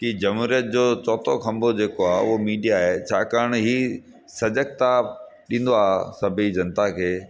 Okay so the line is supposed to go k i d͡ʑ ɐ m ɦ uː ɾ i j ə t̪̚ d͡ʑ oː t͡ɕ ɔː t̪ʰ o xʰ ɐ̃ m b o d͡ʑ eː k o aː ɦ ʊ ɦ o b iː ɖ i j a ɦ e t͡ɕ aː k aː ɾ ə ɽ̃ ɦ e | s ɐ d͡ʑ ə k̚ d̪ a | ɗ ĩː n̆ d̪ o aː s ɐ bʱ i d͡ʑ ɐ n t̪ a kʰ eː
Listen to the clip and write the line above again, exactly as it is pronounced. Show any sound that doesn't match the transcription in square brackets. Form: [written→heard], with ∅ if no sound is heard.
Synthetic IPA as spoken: k i d͡ʑ ɐ m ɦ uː ɾ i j ə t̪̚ d͡ʑ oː t͡ɕ ɔː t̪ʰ o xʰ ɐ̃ m b o d͡ʑ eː k o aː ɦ ʊ ɦ o [b→m] iː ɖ i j a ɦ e [t͡ɕ→t͡ɕʰ] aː k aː ɾ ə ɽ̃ ɦ [e→i] | s ɐ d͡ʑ ə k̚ [d̪→t̪] a | ɗ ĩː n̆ d̪ o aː s ɐ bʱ i d͡ʑ ɐ n t̪ a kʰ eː